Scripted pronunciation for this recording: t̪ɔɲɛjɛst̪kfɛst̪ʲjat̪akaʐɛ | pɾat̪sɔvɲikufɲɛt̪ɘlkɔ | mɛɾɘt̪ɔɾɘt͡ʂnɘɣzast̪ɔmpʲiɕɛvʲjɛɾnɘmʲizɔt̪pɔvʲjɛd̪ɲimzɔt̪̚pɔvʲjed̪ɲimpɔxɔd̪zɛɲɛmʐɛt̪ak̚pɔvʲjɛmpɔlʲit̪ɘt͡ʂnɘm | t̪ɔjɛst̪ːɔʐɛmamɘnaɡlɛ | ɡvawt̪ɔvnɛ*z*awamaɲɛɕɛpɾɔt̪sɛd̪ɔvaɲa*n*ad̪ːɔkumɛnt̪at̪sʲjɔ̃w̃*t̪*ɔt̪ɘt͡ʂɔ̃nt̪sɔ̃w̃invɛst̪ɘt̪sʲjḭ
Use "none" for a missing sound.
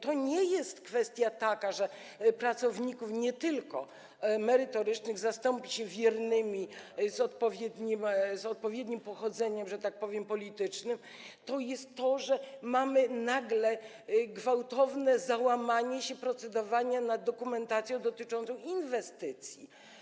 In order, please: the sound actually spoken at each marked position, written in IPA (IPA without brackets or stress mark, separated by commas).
z, n, d̪